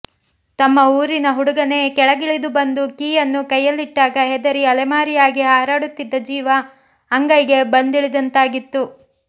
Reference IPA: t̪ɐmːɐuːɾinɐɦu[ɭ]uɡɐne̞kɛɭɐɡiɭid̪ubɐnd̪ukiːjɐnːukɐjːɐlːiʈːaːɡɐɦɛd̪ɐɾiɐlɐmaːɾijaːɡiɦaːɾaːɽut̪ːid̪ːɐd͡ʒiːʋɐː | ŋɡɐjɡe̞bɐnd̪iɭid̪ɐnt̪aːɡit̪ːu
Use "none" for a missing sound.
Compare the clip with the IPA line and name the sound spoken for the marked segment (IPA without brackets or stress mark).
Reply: ɽ